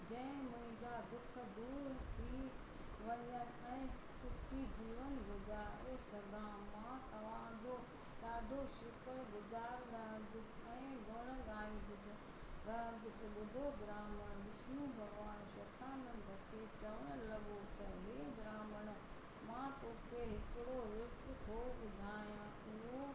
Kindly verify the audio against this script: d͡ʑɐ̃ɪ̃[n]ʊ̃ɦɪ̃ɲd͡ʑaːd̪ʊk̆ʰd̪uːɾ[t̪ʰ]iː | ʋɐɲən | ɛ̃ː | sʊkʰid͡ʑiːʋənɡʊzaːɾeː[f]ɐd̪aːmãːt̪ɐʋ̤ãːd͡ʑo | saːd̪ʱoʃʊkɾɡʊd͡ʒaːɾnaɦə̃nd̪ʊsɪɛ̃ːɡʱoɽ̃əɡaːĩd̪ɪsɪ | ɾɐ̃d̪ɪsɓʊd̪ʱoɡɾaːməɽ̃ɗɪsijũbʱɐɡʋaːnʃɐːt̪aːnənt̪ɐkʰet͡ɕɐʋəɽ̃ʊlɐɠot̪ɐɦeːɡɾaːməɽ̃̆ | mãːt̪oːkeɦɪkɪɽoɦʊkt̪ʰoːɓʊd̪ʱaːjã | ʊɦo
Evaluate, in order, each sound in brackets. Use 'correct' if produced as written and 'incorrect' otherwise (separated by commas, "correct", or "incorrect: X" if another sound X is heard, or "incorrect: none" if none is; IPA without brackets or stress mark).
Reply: incorrect: m, correct, incorrect: s